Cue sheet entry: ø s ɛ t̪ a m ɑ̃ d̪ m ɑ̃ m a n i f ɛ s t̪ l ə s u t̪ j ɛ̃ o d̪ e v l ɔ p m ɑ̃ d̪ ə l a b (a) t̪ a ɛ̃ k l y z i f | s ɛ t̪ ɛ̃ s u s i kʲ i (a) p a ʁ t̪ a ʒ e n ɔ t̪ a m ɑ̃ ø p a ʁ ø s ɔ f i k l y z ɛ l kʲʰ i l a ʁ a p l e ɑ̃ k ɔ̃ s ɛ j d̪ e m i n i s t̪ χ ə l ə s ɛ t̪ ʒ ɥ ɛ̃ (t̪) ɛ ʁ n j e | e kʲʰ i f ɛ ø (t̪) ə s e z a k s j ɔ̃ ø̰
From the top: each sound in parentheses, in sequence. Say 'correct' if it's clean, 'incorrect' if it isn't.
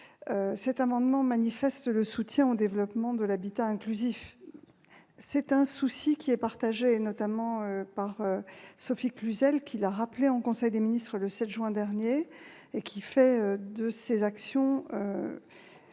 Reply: incorrect: i, incorrect: ɛ, incorrect: d̪, incorrect: d̪

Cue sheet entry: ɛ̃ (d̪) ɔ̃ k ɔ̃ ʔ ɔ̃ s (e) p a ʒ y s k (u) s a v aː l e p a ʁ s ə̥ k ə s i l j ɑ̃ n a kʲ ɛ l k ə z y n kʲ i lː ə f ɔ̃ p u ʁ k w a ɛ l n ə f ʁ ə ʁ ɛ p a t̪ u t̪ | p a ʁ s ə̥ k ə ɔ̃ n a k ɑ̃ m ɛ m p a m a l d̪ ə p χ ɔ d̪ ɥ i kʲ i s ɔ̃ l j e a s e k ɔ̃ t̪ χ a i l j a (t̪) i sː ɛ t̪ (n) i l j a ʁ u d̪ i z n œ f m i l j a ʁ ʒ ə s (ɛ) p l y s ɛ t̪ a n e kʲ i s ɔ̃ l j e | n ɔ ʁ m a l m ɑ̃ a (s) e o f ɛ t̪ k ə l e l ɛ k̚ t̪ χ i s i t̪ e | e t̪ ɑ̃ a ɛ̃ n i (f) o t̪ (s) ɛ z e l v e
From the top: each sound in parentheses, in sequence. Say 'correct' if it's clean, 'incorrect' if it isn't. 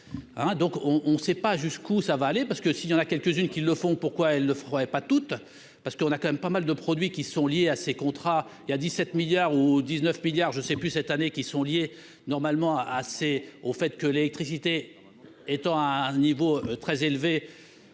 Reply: correct, incorrect: ɛ, correct, incorrect: d̪, incorrect: m, correct, correct, incorrect: v, incorrect: χ

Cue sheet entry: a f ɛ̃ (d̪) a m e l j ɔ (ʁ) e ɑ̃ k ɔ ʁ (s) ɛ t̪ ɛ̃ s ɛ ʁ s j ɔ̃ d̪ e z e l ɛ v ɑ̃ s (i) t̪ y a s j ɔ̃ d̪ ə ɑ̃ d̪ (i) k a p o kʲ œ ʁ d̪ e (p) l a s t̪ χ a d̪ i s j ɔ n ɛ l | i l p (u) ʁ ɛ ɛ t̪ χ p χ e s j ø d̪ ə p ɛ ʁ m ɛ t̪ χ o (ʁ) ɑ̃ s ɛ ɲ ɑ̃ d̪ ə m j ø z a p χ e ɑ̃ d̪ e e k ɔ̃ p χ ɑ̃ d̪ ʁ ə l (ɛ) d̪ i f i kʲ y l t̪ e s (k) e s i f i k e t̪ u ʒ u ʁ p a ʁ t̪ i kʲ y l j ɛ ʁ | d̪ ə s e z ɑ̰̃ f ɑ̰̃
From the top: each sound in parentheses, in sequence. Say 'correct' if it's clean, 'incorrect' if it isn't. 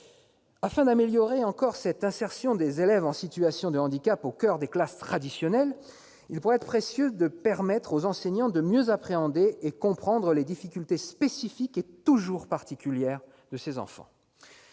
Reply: correct, correct, correct, correct, correct, incorrect: k, correct, incorrect: z, incorrect: e, incorrect: p

